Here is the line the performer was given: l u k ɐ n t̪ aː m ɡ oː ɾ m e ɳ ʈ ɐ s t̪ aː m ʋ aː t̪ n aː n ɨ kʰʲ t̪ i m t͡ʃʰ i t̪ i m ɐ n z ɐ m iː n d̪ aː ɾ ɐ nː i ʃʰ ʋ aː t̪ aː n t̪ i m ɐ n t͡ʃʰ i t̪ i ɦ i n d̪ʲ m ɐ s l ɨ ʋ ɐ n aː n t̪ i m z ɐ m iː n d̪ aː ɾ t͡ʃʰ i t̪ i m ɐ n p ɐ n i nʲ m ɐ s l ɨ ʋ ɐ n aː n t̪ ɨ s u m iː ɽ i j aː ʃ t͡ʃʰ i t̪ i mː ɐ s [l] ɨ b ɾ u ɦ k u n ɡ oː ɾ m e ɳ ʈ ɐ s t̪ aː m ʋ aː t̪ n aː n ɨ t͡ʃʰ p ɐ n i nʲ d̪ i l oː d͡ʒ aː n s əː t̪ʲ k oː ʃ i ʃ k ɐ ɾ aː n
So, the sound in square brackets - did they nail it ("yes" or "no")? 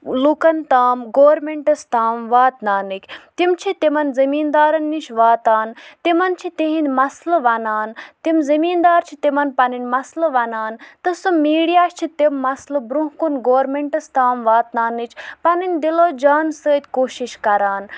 yes